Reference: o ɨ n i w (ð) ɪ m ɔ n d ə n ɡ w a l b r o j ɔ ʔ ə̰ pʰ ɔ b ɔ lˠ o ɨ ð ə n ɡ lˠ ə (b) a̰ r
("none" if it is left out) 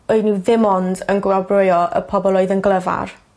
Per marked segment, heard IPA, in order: ð, v

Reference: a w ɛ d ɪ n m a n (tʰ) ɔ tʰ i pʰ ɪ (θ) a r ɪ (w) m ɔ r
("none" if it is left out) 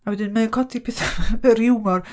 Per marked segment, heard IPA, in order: kʰ, θ, w

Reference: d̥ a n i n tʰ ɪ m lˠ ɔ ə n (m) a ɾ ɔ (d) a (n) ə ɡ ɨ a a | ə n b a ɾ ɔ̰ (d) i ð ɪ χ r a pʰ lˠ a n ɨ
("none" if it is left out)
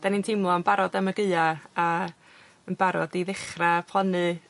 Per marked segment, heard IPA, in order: b, d, m, d

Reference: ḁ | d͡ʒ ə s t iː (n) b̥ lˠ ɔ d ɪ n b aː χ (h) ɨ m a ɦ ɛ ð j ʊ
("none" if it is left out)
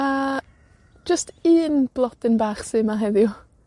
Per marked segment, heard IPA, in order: n, s

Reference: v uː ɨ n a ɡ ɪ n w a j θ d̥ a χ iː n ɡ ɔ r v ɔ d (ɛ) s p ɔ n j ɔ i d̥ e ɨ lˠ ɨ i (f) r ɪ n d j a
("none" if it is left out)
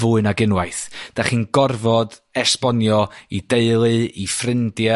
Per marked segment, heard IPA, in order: ɛ, f

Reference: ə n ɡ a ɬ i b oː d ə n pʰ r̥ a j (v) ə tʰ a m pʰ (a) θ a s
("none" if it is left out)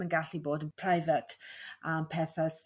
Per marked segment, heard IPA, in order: v, ɛ

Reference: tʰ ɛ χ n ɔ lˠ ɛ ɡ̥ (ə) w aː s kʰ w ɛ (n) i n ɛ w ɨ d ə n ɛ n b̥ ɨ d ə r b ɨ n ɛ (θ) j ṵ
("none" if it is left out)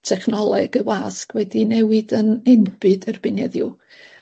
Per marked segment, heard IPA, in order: ə, d, ð

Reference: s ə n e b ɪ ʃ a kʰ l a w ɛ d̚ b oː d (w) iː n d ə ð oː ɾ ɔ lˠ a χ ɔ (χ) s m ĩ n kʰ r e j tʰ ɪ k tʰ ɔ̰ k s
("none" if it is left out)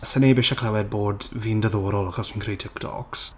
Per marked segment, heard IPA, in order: v, none

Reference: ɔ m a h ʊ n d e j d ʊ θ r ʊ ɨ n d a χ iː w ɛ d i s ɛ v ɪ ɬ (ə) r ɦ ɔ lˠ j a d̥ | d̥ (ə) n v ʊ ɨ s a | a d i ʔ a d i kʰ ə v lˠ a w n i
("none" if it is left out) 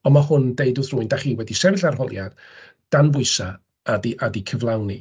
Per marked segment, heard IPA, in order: a, a

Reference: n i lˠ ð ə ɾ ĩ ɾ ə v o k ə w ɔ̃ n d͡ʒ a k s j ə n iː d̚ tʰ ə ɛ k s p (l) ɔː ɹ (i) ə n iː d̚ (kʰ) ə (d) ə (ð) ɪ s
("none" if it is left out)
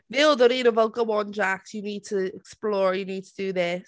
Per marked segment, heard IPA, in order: l, j, tʰ, d, ð

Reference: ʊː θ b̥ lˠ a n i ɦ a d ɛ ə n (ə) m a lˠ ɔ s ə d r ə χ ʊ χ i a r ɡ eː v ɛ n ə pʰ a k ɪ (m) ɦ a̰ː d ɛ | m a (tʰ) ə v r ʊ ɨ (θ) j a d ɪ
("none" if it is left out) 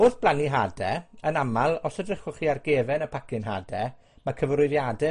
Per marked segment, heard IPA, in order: a, n, kʰ, ð

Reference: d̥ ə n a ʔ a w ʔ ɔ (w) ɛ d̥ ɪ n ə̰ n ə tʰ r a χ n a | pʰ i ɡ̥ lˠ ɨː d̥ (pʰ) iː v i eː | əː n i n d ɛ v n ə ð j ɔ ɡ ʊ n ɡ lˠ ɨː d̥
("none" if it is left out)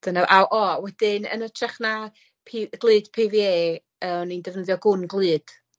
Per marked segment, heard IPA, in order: w, pʰ

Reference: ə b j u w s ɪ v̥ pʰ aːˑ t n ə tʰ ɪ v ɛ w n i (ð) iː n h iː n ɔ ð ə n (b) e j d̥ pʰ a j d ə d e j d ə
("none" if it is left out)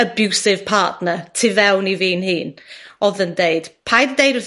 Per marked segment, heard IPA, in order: v, d

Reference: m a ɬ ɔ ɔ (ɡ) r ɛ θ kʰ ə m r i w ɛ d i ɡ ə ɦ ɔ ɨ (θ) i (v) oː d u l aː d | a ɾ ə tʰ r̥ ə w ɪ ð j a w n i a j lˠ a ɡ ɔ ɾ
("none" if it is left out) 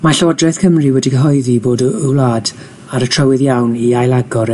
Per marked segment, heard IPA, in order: d, ð, b

